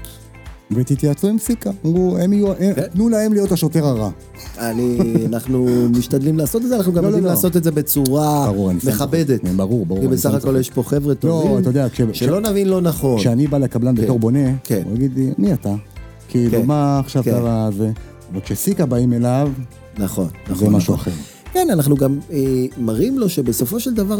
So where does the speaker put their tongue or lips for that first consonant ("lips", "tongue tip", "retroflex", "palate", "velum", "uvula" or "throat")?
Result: lips